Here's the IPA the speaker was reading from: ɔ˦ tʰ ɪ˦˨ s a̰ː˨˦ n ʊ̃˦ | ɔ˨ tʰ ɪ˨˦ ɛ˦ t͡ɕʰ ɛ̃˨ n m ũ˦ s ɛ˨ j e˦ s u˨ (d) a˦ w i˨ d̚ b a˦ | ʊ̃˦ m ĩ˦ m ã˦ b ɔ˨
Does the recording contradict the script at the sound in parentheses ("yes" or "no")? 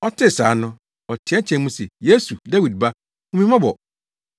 no